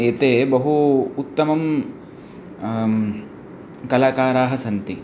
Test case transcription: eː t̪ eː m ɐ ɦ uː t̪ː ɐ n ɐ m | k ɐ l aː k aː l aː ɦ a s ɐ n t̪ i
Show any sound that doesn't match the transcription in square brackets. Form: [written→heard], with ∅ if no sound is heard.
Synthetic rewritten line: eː t̪ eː [m→b] ɐ ɦ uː t̪ː ɐ [n→m] ɐ m | k ɐ l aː k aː [l→ɾ] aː ɦ [a→ɐ] s ɐ n t̪ i